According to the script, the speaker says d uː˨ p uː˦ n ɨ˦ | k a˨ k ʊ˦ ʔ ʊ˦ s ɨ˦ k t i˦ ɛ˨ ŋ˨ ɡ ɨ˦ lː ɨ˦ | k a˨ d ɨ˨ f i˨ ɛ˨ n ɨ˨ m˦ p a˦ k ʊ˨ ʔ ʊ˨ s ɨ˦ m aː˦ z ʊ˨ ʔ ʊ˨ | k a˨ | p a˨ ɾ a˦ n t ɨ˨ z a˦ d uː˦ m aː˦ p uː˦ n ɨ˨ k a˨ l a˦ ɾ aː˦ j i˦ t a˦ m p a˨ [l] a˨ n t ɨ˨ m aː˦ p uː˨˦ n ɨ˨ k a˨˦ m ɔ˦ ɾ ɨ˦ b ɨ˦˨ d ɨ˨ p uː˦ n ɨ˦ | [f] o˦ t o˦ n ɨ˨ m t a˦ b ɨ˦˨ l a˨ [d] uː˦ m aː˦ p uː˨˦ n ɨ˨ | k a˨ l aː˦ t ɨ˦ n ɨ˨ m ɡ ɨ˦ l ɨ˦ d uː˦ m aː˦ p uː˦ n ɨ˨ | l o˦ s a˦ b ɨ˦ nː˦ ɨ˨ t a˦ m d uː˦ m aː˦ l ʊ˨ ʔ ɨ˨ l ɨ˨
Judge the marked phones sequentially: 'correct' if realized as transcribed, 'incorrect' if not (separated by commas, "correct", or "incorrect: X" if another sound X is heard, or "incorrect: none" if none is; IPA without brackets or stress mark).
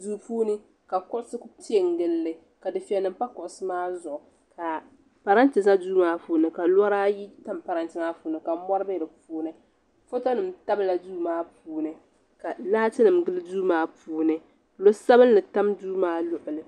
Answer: incorrect: ɾ, correct, correct